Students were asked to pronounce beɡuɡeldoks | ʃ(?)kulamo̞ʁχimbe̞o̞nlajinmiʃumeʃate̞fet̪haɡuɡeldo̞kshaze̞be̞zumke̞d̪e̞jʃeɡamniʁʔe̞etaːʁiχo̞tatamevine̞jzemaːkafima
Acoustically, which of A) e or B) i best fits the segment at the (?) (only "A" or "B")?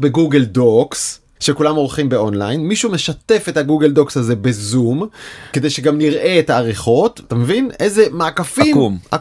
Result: A